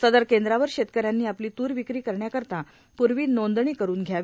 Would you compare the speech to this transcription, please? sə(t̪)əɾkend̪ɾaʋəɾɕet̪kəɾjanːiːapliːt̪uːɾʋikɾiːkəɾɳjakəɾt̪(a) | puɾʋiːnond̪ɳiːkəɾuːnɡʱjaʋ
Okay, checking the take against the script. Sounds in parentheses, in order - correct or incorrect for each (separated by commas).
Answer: incorrect, correct